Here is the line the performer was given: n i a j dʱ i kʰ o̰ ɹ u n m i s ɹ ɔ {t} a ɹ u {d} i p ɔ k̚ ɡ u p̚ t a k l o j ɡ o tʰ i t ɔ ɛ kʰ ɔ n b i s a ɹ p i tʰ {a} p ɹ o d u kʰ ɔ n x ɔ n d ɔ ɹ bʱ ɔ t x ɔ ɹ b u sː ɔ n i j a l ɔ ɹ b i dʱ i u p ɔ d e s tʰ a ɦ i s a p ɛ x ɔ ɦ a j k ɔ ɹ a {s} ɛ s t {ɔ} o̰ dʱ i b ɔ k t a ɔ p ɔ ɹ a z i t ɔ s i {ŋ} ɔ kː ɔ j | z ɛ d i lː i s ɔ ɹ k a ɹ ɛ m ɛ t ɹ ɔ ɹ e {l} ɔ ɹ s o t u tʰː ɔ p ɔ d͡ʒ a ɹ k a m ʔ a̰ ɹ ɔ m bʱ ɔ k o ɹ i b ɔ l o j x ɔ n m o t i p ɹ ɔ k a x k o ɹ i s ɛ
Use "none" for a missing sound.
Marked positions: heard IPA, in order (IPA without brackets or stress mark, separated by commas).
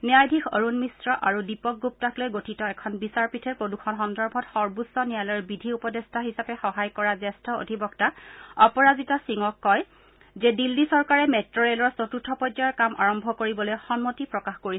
ʔ, d, ɛ, z, ɔ, ŋ, l